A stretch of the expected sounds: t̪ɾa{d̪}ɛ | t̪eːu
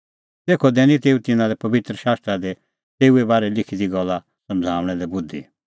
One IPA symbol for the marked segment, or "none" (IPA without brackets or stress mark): d̪